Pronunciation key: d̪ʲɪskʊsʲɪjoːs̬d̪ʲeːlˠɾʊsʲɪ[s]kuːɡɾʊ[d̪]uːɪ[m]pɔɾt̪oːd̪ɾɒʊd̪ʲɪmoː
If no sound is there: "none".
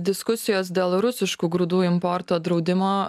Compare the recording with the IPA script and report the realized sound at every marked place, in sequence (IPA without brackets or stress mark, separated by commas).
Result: ʃ, d̪, m